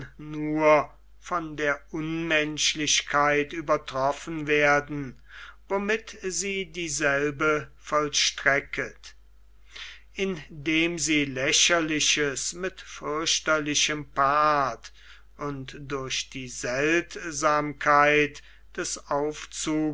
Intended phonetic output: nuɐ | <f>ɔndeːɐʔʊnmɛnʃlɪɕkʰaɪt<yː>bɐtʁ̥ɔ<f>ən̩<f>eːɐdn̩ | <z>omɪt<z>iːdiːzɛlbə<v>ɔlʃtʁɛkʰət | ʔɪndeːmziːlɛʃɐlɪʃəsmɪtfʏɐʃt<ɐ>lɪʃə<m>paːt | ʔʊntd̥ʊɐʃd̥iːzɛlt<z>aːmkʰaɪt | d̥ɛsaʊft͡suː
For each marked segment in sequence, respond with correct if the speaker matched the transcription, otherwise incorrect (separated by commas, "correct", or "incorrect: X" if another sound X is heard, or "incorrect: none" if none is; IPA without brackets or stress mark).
correct, correct, correct, incorrect: v, incorrect: v, correct, incorrect: f, correct, correct, correct